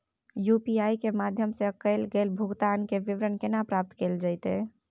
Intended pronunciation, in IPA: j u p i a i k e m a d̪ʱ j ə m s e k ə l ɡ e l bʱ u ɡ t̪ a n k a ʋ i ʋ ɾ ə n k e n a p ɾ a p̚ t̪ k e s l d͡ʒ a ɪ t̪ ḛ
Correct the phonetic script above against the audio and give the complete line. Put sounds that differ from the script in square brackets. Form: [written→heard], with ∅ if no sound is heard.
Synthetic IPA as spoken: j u p i a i k e m a d̪ʱ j ə m s e k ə l ɡ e l bʱ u ɡ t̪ a n k [a→e] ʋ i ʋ ɾ ə n k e n a p ɾ a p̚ t̪ k e [s→∅] l d͡ʒ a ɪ t̪ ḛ